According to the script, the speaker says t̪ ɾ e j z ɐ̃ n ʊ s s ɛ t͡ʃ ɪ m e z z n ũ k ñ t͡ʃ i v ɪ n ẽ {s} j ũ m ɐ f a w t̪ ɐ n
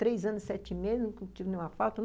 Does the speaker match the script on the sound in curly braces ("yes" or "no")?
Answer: no